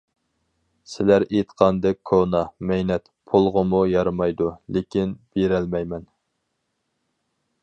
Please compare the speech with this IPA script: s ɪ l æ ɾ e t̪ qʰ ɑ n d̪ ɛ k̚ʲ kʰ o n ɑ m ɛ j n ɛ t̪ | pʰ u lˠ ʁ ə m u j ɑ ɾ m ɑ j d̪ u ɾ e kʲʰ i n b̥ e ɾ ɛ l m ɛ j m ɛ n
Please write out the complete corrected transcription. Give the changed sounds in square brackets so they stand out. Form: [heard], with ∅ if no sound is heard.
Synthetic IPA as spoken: s ɪ l æ ɾ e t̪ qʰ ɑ n d̪ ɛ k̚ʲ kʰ o n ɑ m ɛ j n ɛ t̪ | pʰ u lˠ ʁ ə m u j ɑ ɾ m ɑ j d̪ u [l] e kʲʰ i n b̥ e ɾ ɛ l m ɛ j m ɛ n